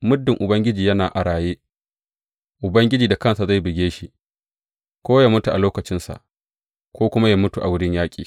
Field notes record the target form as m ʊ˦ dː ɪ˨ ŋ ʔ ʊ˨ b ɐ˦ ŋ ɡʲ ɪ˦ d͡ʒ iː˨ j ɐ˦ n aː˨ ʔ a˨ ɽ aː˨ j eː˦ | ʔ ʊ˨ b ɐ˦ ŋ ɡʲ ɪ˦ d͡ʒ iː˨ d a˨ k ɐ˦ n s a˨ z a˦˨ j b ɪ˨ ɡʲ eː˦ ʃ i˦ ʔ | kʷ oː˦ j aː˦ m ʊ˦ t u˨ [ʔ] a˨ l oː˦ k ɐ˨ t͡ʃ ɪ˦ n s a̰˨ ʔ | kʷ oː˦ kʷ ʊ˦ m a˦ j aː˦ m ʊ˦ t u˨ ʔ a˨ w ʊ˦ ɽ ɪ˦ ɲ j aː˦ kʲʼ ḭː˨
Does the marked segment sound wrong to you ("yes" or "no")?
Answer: no